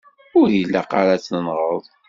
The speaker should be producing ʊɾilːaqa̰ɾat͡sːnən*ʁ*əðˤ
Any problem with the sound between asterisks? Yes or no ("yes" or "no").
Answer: no